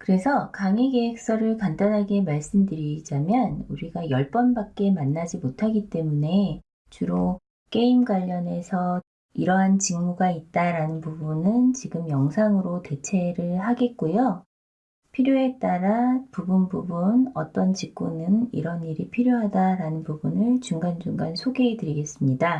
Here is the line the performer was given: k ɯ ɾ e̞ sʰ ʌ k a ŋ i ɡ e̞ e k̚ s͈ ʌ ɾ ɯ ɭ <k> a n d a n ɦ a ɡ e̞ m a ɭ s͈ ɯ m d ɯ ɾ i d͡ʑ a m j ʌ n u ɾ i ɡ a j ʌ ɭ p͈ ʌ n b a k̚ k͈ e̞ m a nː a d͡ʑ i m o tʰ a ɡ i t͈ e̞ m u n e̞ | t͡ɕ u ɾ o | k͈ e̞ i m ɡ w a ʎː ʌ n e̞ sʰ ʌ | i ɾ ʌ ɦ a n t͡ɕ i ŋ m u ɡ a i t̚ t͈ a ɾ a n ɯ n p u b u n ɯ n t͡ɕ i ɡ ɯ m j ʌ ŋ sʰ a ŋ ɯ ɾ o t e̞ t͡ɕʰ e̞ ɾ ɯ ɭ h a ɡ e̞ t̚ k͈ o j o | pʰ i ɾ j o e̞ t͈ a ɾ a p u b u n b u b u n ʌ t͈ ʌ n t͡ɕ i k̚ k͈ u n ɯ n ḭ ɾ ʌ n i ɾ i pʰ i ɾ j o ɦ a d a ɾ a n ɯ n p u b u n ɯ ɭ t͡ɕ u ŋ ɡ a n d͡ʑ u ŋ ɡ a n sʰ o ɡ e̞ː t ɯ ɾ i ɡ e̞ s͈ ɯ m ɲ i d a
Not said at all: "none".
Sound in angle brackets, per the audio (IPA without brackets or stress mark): k